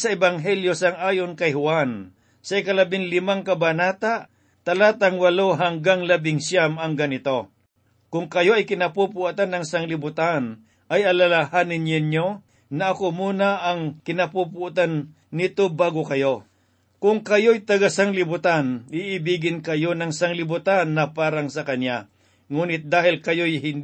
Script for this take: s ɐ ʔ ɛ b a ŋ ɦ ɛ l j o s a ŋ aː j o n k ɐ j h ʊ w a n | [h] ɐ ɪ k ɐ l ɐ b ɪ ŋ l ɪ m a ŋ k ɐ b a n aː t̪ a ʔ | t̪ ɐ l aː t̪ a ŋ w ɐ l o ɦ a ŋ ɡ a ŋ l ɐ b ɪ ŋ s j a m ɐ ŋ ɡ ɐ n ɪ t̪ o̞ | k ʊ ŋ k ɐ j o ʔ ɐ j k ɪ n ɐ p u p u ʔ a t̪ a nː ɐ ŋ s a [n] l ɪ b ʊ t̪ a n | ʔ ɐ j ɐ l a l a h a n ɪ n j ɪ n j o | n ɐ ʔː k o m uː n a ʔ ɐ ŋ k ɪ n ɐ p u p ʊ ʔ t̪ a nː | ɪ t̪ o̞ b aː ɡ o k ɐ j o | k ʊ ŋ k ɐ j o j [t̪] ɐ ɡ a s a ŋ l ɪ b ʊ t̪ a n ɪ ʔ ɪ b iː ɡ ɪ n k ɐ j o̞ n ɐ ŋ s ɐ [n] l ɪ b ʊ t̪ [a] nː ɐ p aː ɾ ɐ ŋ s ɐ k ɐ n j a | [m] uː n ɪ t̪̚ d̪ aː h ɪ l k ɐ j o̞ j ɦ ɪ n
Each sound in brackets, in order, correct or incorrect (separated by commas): incorrect, incorrect, correct, incorrect, correct, incorrect